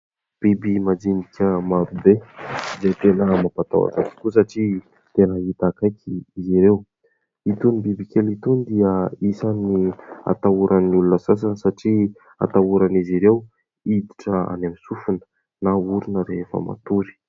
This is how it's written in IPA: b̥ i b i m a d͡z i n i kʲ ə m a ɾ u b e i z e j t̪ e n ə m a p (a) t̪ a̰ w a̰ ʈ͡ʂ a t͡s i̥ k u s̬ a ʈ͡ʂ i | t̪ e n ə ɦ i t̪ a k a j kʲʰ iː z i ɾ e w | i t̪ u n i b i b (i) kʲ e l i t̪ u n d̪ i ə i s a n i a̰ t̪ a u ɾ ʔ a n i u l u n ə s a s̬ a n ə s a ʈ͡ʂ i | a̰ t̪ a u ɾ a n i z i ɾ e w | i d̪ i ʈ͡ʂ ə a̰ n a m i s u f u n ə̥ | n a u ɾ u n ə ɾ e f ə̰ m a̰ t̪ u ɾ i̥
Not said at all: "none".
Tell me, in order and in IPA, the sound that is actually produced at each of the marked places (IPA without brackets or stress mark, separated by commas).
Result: a, i